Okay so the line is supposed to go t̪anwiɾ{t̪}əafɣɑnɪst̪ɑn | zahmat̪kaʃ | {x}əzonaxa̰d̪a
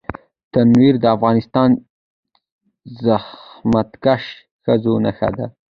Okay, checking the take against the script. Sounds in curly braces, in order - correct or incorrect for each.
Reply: incorrect, correct

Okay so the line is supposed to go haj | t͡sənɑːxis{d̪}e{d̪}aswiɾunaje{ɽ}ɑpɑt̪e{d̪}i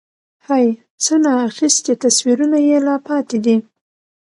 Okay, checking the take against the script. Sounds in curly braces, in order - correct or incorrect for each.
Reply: incorrect, incorrect, incorrect, correct

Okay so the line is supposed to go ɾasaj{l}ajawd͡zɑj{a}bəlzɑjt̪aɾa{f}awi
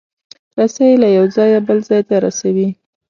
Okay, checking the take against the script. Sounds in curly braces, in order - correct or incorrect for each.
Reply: correct, correct, incorrect

